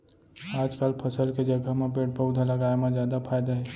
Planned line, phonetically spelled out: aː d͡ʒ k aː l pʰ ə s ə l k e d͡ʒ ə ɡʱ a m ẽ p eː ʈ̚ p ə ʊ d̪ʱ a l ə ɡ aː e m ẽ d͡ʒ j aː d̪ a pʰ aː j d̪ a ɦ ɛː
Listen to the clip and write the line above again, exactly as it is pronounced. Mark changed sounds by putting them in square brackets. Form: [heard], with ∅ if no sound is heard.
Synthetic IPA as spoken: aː d͡ʒ k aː l pʰ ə s ə l k e d͡ʒ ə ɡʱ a m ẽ p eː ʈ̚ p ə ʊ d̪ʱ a l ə ɡ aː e m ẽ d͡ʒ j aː d̪ a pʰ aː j d̪ a ɦ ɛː